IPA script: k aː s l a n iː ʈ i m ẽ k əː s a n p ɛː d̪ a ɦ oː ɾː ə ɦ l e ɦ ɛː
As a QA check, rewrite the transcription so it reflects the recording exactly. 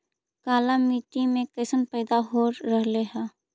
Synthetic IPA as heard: k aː l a m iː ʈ i m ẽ k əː s ə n p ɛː d̪ a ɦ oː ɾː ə ɦ l e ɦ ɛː